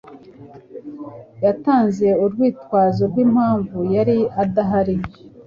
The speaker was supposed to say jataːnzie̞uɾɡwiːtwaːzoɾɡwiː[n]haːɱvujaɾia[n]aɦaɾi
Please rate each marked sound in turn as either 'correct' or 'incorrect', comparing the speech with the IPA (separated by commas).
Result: incorrect, incorrect